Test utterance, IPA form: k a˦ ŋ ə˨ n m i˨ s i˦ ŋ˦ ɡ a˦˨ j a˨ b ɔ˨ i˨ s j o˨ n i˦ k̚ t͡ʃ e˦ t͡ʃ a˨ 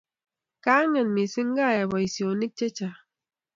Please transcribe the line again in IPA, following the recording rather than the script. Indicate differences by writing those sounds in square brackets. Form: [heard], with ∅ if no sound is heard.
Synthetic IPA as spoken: k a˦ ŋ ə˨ n m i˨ s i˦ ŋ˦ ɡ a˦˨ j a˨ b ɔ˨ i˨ s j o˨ n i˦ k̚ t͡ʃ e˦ t͡ʃ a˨